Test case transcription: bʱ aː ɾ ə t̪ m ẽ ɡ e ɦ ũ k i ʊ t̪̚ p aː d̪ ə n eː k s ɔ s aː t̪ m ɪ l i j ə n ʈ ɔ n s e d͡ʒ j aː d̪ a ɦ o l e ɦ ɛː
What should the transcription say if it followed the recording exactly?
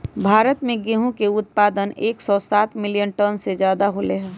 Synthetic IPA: bʱ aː ɾ ə t̪ m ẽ ɡ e ɦ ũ k e ʊ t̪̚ p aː d̪ ə n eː k s ɔ s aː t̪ m ɪ l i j ə n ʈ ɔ n s e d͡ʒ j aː d̪ a ɦ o l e ɦ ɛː